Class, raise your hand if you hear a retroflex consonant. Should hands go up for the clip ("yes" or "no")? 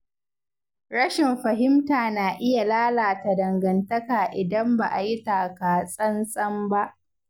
no